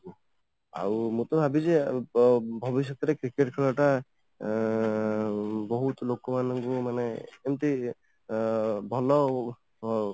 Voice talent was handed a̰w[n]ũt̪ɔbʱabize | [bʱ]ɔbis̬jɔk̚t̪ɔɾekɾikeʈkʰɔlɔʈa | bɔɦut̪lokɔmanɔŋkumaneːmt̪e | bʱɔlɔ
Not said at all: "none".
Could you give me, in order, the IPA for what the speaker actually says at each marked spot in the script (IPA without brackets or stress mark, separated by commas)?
m, bʱ